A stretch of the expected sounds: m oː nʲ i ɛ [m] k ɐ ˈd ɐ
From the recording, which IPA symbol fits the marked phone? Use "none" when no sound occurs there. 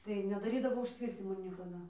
none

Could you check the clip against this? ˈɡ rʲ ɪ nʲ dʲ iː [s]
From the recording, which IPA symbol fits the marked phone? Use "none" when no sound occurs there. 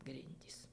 s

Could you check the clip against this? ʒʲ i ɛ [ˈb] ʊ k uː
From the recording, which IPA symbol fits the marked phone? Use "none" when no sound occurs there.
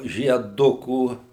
d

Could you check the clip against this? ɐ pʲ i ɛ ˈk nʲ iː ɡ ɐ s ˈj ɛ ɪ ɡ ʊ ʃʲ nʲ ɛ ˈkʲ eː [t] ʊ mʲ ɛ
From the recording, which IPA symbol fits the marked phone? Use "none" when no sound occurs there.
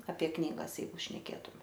t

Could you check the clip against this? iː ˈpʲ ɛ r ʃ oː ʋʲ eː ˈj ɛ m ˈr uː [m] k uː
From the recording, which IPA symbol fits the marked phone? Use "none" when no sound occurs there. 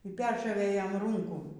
ŋ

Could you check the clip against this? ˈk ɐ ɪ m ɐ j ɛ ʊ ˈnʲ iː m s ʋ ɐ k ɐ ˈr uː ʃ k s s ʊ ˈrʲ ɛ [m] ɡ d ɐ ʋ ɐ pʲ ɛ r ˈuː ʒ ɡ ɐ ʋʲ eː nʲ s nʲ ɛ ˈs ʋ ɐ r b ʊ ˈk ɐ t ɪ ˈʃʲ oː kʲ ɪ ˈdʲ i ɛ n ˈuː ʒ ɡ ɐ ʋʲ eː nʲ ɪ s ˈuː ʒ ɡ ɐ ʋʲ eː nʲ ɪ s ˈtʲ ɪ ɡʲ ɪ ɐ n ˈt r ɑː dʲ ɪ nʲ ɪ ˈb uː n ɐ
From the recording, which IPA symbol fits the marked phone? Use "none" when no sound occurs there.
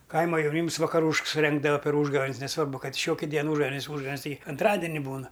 ŋ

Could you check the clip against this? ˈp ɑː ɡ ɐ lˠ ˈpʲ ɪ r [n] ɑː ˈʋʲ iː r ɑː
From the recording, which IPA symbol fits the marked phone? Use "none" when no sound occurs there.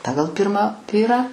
m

